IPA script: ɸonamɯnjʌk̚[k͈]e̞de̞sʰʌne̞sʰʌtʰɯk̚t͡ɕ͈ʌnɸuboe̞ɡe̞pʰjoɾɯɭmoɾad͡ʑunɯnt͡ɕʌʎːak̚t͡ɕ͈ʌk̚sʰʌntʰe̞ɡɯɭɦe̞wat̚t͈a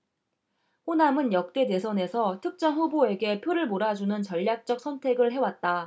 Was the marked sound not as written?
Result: yes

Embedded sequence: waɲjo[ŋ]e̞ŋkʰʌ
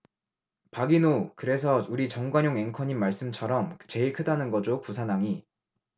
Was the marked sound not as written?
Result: no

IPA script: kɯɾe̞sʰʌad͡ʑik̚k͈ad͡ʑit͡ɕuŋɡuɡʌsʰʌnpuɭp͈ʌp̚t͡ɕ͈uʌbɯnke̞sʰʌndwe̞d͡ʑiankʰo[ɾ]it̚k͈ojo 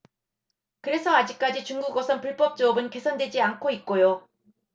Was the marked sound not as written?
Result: yes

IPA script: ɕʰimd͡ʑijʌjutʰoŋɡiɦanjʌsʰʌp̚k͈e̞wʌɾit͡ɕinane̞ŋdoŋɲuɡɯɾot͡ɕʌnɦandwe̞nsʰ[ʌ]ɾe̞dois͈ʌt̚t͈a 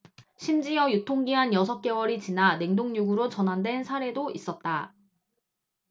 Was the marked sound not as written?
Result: yes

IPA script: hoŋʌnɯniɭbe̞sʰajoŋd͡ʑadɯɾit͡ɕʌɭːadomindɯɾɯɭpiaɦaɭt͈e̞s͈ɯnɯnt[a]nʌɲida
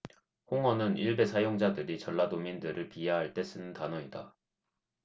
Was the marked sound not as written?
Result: no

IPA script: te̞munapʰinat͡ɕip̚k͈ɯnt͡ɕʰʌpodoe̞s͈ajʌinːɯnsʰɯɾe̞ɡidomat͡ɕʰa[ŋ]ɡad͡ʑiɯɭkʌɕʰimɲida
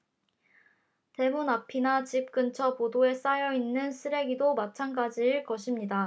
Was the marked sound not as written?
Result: yes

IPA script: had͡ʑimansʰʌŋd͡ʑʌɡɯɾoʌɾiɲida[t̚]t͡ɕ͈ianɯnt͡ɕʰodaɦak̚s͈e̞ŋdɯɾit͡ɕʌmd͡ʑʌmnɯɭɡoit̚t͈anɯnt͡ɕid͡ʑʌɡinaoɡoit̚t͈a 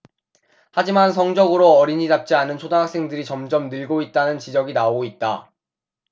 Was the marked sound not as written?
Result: yes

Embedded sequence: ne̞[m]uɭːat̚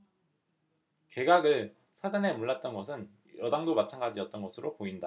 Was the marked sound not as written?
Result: no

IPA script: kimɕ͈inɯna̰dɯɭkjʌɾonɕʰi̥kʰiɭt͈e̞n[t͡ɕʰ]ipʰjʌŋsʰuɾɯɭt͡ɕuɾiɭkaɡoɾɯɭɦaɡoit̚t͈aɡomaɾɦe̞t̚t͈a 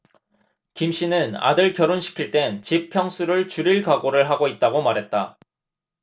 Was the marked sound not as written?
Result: yes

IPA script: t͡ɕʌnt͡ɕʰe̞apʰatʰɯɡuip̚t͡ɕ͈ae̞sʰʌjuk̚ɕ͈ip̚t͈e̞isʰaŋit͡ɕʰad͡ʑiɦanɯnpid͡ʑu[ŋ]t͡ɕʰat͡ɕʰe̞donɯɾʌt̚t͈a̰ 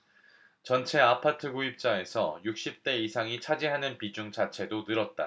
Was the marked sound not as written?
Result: no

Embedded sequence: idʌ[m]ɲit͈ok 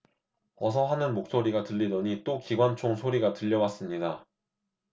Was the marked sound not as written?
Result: yes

